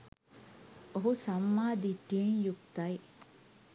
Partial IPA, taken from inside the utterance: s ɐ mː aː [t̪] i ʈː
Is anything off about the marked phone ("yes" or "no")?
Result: yes